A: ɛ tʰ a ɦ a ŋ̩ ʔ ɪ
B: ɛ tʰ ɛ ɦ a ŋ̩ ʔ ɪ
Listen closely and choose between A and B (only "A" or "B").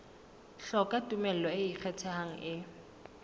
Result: B